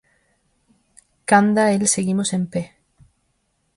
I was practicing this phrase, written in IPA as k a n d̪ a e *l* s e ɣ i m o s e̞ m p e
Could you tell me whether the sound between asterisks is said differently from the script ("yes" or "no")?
no